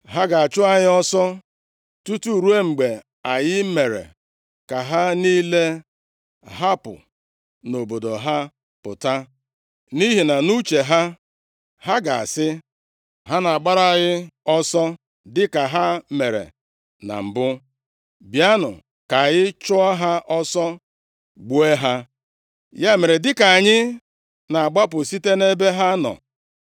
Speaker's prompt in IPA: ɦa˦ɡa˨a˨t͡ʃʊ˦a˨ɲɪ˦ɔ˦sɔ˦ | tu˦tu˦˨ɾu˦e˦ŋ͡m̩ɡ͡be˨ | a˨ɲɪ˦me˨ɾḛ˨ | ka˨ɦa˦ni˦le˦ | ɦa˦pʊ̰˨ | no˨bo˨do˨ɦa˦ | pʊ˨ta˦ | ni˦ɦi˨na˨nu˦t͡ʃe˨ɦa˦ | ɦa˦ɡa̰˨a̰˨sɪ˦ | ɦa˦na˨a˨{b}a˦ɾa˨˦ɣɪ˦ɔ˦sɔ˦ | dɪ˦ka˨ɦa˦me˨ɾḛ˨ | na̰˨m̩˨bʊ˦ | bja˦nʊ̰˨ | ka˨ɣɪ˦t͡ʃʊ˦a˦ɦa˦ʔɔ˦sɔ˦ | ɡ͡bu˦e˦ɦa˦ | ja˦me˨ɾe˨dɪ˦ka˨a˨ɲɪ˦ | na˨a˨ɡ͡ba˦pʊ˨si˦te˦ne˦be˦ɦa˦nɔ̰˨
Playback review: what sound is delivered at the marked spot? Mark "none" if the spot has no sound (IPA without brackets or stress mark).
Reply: ɡ͡b